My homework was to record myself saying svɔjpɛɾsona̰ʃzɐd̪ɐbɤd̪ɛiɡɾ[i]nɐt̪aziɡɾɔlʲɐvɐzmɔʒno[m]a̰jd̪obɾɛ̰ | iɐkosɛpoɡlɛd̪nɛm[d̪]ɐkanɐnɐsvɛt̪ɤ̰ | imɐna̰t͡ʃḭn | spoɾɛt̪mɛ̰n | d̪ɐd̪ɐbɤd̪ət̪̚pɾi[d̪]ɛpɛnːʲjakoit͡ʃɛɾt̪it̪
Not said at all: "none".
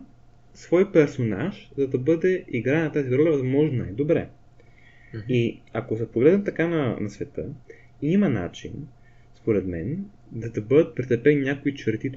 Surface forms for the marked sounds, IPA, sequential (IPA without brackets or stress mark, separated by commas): a, n, t̪, t̪